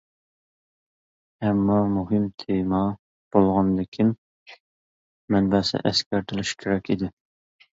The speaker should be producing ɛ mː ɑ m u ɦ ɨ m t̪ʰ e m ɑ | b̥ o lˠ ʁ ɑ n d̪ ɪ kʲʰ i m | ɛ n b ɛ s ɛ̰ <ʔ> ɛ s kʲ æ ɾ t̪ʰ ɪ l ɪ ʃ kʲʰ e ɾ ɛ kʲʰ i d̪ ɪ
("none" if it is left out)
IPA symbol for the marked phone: ʔ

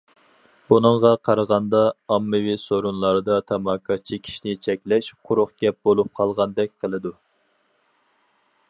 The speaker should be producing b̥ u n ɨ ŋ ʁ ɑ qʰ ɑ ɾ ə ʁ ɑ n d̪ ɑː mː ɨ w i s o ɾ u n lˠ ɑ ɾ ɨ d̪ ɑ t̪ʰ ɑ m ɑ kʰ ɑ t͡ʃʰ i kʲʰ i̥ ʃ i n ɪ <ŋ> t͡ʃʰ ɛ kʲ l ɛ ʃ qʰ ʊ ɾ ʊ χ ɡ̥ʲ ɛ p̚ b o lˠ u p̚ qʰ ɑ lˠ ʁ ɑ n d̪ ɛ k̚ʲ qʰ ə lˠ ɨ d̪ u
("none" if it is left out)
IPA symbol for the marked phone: none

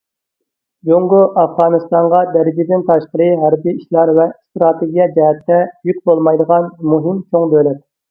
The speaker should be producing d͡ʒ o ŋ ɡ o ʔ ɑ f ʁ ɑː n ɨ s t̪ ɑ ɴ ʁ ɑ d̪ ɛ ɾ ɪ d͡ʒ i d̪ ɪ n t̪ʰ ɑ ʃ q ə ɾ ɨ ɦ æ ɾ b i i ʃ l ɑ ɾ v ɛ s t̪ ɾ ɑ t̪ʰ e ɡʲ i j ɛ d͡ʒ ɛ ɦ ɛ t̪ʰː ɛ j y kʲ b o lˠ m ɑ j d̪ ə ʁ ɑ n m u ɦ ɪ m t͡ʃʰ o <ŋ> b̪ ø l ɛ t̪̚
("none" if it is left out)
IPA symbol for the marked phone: ŋ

